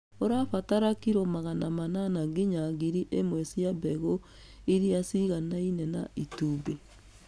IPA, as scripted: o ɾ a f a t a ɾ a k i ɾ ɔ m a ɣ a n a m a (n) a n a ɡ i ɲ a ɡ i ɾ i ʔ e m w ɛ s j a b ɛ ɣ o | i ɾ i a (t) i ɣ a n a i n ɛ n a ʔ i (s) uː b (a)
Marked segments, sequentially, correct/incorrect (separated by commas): correct, incorrect, incorrect, incorrect